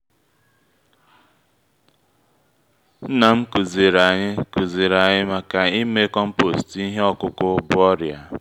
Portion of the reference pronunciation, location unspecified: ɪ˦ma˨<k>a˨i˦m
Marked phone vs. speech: correct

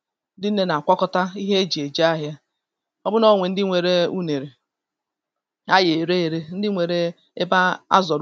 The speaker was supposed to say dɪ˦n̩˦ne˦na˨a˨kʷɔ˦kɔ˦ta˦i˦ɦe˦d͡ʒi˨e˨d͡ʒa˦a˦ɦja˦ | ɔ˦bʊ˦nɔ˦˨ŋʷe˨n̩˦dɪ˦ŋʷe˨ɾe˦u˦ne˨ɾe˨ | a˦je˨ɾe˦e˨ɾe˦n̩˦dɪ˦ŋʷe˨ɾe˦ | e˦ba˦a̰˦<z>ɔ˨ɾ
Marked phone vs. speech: correct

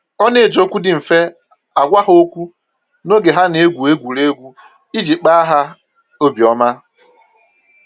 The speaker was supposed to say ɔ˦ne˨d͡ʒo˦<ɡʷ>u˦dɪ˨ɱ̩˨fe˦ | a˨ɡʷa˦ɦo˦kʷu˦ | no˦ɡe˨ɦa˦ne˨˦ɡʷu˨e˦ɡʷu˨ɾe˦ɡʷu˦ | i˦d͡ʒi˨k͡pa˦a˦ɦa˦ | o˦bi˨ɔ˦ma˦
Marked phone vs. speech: incorrect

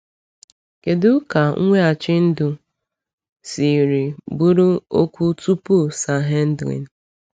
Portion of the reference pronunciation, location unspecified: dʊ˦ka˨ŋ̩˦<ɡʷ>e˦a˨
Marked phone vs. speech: incorrect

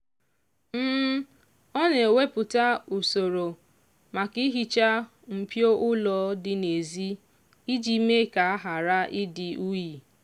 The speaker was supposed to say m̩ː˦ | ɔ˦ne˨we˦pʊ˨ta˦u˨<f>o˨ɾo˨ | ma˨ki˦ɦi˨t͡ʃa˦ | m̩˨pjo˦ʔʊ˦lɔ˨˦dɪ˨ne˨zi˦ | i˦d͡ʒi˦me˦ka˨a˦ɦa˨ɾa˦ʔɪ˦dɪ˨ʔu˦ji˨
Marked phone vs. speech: incorrect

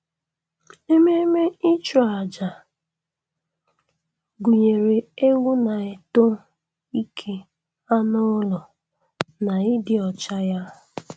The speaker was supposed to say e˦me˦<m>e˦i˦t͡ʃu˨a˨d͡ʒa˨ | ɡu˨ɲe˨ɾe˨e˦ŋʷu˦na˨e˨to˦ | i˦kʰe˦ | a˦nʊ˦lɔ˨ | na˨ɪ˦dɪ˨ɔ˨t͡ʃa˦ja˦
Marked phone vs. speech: correct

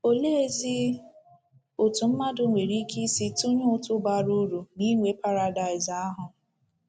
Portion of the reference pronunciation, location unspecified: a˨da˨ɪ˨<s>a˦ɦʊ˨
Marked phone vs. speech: incorrect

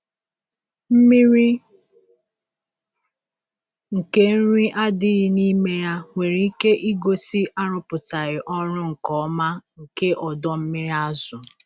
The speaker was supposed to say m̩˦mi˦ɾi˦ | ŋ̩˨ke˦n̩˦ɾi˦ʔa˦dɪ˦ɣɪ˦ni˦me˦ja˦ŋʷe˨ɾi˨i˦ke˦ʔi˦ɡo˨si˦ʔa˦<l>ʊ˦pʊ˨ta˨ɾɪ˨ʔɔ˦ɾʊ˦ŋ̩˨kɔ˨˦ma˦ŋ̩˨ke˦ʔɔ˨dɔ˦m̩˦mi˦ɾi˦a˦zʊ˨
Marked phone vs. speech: incorrect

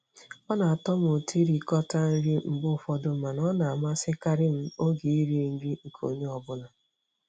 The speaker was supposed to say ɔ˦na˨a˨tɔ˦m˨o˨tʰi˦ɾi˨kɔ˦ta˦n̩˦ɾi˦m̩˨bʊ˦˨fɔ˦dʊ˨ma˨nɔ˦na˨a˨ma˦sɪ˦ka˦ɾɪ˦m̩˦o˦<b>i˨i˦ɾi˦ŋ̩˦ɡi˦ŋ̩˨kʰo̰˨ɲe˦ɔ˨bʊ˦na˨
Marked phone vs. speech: incorrect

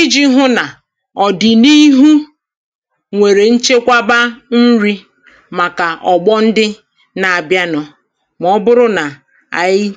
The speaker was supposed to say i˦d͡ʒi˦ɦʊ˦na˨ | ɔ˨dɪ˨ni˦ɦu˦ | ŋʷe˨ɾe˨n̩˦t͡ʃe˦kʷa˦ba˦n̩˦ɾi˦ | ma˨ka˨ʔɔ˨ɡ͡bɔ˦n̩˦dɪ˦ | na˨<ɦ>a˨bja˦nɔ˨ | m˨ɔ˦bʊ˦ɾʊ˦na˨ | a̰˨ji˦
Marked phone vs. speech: incorrect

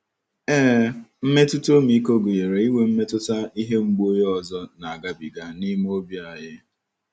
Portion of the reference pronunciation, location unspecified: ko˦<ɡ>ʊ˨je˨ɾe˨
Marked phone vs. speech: correct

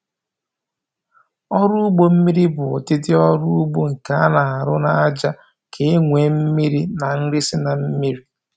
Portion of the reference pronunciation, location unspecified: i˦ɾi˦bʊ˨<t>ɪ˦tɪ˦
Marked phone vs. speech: correct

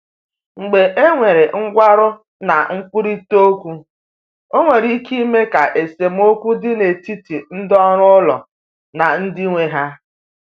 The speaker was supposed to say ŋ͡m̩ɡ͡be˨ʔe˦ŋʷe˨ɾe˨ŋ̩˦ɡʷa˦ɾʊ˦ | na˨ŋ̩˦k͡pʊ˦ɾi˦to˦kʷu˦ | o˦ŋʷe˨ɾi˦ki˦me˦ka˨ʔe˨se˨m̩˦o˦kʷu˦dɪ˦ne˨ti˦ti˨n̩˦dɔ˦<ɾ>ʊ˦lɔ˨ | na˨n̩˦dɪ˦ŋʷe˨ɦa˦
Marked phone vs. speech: correct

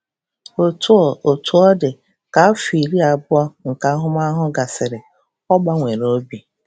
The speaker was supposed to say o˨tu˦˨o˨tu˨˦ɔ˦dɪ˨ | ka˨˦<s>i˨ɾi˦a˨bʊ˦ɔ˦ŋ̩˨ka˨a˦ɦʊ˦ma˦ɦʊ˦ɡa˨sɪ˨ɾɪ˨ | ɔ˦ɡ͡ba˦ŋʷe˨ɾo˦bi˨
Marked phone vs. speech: incorrect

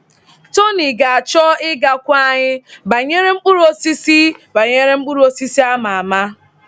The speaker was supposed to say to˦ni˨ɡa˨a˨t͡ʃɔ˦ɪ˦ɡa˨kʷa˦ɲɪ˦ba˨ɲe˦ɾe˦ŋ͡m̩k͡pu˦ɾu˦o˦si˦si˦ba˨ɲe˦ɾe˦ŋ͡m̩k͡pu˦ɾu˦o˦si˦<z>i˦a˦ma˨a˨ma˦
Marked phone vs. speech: incorrect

